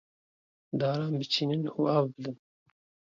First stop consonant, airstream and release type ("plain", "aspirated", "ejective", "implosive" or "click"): plain